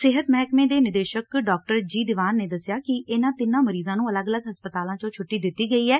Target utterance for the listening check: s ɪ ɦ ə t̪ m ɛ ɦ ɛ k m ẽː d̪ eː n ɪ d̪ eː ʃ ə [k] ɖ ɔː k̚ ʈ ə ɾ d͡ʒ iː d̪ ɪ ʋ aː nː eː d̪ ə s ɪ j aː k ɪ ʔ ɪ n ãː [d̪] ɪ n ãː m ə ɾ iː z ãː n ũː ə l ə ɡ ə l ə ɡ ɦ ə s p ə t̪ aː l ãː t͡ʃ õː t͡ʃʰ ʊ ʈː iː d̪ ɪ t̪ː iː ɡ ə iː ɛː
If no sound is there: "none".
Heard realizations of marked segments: k, t̪

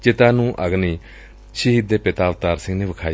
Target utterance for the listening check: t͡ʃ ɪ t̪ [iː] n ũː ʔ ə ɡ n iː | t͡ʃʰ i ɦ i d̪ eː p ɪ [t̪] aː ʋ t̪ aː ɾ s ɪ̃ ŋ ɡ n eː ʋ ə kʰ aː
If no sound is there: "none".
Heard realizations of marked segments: aː, t̪

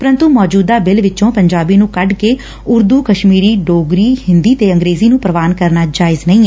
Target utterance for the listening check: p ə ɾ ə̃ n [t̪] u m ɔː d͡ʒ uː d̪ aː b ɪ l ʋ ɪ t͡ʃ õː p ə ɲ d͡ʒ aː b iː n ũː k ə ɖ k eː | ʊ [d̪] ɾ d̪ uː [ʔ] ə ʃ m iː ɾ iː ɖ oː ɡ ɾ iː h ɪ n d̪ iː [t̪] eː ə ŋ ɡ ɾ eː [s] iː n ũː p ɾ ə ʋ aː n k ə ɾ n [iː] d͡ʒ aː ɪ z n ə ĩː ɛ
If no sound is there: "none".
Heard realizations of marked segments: t̪, none, k, t̪, z, aː

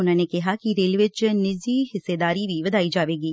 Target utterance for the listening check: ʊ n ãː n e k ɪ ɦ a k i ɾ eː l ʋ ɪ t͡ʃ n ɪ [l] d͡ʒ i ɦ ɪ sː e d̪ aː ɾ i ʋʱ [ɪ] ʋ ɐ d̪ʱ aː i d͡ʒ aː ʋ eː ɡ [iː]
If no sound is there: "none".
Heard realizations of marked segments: none, i, iː

